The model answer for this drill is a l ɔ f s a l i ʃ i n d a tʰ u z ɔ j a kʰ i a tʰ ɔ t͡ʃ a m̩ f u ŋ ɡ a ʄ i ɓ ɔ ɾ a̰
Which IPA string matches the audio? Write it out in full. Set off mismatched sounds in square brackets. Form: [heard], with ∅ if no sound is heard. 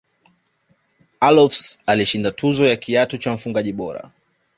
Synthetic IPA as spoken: a l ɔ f s a l i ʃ i n d a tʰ u z ɔ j a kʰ i a [t] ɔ t͡ʃ a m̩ f u ŋ ɡ a ʄ i ɓ ɔ ɾ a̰

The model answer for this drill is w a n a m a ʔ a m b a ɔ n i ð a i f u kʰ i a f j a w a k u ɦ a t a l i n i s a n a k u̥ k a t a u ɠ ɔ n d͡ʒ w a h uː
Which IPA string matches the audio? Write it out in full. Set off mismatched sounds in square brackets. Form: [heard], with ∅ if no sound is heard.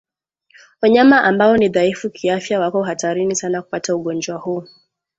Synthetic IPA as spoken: w a [ɲ] a m a ʔ a m b a ɔ n i ð a i f u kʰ i a f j a w a k [ɔ] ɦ a t a [ɾ] i n i s a n a k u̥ [p] a t a u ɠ ɔ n d͡ʒ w a h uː

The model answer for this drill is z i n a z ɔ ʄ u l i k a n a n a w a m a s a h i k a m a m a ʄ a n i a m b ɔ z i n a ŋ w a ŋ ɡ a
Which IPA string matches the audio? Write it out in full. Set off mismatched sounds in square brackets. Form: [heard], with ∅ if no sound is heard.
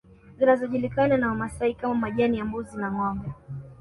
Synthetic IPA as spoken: z i n a z ɔ ʄ u l i k a n a n a w a m a s a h i k a m a m a ʄ a n i a m b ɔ z i n a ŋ w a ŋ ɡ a

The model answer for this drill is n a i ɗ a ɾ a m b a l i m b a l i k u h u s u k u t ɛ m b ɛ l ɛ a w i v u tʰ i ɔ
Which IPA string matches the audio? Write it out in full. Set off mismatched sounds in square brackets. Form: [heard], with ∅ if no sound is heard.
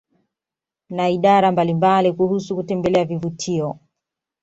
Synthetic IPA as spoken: n a i ɗ a ɾ a m b a l i m b a l i k u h u s u k u t ɛ m b ɛ l ɛ a [v] i v u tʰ i ɔ

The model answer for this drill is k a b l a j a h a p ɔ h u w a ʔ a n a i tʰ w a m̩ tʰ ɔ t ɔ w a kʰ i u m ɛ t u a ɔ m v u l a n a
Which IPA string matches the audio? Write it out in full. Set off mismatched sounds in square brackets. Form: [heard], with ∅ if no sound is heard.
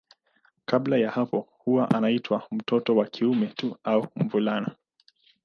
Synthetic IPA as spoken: k a b l a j a h a p ɔ h u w a ʔ a n a i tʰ w a m̩ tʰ ɔ t ɔ w a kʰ i u m ɛ t u a [u] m v u l a n a

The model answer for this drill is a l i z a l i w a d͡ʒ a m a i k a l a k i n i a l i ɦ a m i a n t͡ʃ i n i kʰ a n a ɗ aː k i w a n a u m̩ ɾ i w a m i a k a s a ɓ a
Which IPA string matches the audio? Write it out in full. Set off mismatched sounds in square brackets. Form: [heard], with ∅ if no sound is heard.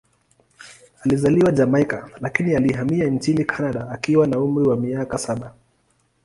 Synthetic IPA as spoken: a l i z a l i w a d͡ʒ a m a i k a l a k i n i a l i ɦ a m i a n t͡ʃ i n i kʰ a n a ɗ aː k i w a n a u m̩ ɾ i w a m i a k a s a ɓ a

